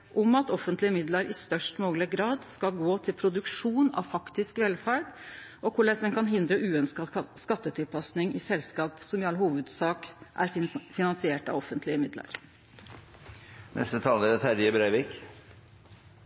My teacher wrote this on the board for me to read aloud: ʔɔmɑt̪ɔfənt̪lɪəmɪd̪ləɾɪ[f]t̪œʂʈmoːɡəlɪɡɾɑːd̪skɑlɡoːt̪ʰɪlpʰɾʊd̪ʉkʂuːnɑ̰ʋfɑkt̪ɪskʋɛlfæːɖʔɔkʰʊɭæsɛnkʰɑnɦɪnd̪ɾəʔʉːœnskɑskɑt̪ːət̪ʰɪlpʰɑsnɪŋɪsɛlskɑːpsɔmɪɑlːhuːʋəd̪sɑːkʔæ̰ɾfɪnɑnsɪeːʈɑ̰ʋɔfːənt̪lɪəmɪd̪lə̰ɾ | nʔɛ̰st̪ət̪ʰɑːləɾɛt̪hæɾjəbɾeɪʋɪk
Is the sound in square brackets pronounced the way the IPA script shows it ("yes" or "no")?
no